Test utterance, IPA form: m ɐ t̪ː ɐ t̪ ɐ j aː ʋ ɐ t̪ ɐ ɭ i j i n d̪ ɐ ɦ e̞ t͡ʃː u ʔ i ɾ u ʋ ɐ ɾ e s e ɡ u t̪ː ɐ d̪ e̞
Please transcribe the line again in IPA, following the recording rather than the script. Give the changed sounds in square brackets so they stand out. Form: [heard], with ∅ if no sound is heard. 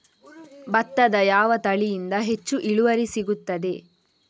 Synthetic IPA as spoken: [b] ɐ t̪ː ɐ [d̪] ɐ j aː ʋ ɐ t̪ ɐ ɭ i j i n d̪ ɐ ɦ e̞ t͡ʃː u ʔ i [ɭ] u ʋ ɐ ɾ [i] s [i] ɡ u t̪ː ɐ d̪ e̞